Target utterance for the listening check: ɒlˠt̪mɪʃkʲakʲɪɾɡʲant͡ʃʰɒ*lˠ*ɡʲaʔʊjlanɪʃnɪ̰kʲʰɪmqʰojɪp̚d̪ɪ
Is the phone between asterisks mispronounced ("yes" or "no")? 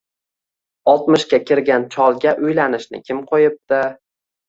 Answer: no